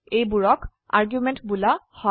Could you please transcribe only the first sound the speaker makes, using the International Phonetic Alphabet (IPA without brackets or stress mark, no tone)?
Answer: e